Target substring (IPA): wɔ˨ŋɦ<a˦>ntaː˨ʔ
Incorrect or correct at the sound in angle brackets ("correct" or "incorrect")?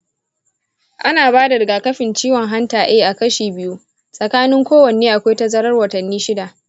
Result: correct